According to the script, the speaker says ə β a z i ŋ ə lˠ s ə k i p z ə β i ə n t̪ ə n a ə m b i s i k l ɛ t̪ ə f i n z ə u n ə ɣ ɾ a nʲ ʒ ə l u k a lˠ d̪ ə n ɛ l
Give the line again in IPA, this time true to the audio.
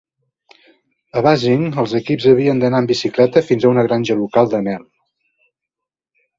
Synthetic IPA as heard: ə β a z i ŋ ə lˠ z ə k i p z ə β i ə n d̪ ə n a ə m b i s i k l ɛ t̪ ə f i n z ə u n ə ɣ ɾ a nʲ ʒ ə l u k a lˠ d̪ ə n ɛ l